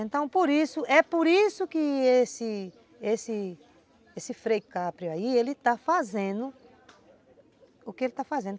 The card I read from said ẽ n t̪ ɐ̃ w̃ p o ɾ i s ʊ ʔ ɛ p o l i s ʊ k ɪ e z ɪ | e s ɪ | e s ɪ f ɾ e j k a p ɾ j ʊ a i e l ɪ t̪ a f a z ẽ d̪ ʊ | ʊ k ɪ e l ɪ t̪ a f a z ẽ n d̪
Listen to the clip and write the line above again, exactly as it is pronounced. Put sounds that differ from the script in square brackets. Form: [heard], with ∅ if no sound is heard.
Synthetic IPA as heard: ẽ n t̪ ɐ̃ w̃ p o ɾ i s ʊ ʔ ɛ p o [ɾ] i s ʊ k ɪ e [s] ɪ | e s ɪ | e s ɪ f ɾ e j k a p ɾ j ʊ a i e l ɪ t̪ a f a z ẽ d̪ ʊ | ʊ k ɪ e l ɪ t̪ a f a z ẽ n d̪